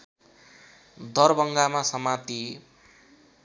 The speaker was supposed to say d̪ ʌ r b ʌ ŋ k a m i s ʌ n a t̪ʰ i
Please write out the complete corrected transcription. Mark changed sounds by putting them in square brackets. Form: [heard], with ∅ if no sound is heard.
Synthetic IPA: d̪ ʌ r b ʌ ŋ [ɡ] a m [a] s ʌ [m] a [t̪] i